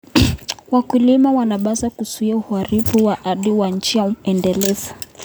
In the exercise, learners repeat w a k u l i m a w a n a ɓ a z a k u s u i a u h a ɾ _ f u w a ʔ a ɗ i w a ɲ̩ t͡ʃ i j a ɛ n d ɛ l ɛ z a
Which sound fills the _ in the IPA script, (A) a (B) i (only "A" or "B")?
B